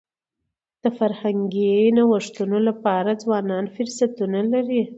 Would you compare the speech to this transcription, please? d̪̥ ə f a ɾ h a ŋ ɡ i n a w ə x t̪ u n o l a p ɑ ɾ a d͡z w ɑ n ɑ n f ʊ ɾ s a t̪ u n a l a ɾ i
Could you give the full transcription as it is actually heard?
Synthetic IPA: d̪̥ ə f a ɾ h a ŋ ɡ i n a w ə ʂ t̪ u n o l a p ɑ ɾ a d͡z w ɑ n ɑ n f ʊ ɾ s a t̪ u n a l a ɾ i